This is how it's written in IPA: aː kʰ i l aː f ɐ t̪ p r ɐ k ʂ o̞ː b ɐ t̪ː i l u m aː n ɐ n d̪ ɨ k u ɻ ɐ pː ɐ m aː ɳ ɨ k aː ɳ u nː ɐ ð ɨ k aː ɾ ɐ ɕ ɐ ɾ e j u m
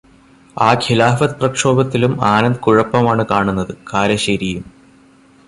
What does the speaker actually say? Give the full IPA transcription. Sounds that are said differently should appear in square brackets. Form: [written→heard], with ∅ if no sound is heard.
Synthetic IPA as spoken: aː kʰ i l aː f ɐ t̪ p r ɐ k ʂ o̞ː b ɐ t̪ː i l u m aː n ɐ n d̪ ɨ k u ɻ ɐ pː ɐ m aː ɳ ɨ k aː ɳ u nː ɐ ð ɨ k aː ɾ ɐ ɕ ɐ ɾ [e→i] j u m